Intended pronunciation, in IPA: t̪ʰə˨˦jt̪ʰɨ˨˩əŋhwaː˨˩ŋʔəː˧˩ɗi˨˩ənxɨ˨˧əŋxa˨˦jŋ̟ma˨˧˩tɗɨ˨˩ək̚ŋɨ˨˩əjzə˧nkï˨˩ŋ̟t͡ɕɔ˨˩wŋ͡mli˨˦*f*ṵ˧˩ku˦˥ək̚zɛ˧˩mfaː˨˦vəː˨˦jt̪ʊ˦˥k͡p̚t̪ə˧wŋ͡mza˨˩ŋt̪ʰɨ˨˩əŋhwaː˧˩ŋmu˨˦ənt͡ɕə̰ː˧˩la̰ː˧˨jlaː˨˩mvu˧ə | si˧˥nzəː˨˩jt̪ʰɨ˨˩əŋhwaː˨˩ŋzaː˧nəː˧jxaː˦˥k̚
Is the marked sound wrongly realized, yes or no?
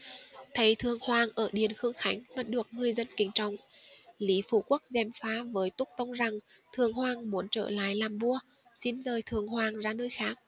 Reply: no